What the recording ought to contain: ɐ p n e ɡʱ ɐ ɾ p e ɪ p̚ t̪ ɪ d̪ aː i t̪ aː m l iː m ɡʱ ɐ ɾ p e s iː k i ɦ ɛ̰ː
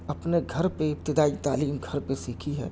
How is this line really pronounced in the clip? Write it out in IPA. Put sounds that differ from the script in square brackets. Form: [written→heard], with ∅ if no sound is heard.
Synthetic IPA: ɐ p n e ɡʱ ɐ ɾ p e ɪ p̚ t̪ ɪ d̪ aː i t̪ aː [m→∅] l iː m ɡʱ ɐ ɾ p e s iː [k→kʰ] i ɦ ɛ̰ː